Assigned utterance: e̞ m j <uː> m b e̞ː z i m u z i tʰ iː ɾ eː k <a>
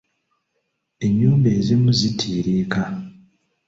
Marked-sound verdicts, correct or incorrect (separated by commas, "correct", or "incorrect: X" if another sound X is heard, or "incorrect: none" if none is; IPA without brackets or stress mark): correct, correct